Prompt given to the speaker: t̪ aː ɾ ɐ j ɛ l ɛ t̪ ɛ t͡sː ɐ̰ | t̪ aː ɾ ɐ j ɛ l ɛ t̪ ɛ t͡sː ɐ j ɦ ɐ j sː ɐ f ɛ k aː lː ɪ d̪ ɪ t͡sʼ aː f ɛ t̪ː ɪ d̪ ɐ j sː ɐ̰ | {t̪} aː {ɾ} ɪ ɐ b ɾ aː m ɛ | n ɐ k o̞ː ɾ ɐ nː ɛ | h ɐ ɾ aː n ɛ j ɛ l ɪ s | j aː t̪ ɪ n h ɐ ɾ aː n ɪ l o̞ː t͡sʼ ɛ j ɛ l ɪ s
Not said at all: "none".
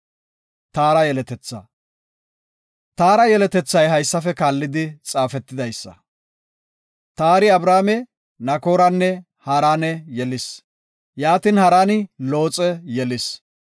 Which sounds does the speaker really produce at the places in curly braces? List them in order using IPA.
t̪, ɾ

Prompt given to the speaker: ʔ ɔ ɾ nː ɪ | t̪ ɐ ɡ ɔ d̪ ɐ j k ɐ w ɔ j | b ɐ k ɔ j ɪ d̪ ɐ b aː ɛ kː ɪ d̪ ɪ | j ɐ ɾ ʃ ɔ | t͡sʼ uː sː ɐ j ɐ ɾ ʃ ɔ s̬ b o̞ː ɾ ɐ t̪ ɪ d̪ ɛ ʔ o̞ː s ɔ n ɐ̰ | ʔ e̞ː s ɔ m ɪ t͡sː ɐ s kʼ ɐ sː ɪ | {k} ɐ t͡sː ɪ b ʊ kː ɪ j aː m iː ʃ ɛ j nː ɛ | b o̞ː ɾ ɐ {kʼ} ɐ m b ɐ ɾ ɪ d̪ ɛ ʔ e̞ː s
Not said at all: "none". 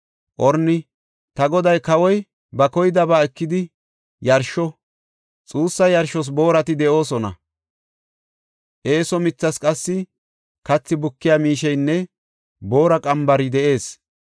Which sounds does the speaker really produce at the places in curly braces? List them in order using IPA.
k, kʼ

